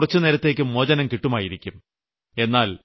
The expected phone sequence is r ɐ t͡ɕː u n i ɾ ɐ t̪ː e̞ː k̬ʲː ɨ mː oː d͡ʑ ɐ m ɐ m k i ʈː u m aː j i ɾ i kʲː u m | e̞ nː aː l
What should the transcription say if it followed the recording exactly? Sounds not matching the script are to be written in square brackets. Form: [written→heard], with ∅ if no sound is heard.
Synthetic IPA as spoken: r ɐ t͡ɕː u n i ɾ ɐ t̪ː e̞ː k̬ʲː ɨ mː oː d͡ʑ ɐ [m→n] ɐ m k i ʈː u m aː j i ɾ i kʲː u m | e̞ nː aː l